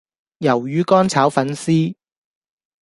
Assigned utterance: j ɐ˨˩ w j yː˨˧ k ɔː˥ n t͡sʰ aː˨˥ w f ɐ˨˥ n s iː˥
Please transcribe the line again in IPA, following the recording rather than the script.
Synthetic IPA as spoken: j ɐ˨˩ w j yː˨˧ k ɔː˥ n t͡sʰ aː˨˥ w f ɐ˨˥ n s iː˥